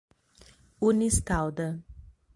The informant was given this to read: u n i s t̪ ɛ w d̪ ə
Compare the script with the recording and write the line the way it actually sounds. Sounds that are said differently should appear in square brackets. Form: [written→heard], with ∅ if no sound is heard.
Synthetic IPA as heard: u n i s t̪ [ɛ→a] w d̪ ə